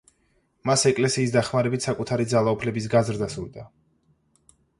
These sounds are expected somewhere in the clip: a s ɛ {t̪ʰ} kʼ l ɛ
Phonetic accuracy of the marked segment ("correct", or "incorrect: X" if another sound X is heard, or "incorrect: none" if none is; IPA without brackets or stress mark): incorrect: none